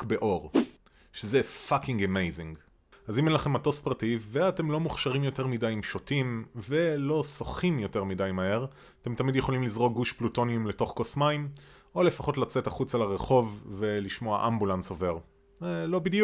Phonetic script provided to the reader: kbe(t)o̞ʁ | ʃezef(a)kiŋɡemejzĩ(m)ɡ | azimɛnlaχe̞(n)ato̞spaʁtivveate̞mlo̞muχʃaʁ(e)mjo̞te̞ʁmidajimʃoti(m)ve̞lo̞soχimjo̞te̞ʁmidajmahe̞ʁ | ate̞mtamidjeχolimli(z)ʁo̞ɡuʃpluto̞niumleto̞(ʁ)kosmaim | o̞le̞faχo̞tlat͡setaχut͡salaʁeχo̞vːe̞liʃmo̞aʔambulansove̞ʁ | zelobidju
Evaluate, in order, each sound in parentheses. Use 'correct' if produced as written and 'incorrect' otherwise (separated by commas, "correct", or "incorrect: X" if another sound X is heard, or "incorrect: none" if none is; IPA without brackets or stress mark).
incorrect: ʔ, correct, incorrect: ŋ, incorrect: m, incorrect: i, correct, correct, incorrect: χ